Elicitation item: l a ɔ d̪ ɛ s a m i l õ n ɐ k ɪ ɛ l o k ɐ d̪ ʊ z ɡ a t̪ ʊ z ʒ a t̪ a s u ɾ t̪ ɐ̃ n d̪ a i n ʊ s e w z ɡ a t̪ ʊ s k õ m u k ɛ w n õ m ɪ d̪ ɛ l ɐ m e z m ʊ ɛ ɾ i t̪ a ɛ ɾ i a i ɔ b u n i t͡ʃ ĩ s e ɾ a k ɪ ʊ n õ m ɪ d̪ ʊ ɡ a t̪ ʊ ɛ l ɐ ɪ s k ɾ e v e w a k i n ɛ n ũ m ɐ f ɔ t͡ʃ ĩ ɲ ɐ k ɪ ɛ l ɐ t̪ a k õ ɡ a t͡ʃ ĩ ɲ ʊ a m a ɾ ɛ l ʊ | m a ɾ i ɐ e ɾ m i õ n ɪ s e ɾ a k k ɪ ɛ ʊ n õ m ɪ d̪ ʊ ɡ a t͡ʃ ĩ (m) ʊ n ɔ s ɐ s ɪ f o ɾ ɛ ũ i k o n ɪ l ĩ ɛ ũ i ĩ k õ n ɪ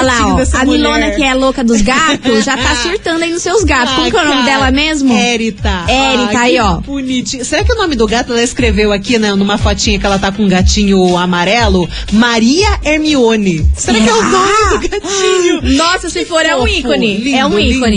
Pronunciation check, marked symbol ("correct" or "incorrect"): incorrect